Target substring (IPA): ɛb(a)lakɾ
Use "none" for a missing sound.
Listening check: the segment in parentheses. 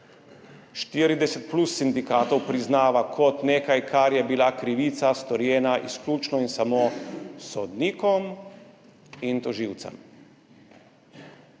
i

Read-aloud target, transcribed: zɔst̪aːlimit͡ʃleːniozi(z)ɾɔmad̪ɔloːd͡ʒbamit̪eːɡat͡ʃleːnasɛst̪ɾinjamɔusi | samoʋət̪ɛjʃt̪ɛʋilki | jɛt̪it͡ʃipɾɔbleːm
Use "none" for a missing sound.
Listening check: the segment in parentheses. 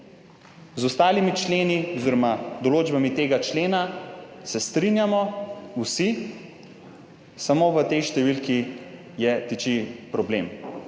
none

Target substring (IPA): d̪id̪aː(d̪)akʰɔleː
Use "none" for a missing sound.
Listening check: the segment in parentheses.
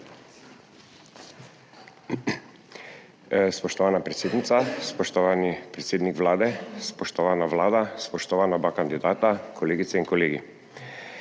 t̪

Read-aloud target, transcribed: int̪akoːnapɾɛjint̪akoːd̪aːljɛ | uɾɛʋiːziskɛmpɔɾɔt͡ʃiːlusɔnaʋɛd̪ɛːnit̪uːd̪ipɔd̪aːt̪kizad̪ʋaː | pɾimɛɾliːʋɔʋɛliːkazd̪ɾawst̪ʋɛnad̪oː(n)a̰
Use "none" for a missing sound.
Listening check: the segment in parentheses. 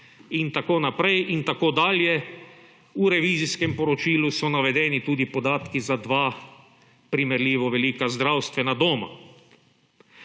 m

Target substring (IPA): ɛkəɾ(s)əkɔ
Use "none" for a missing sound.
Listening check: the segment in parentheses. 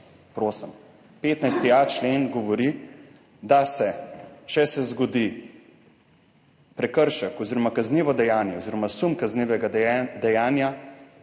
ʃ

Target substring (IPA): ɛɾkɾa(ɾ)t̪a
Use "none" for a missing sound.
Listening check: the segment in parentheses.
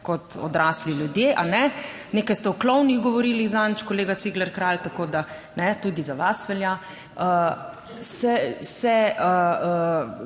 l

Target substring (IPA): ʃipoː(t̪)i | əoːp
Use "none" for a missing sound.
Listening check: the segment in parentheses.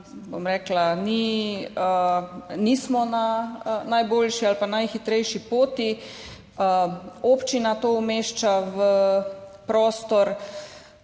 t̪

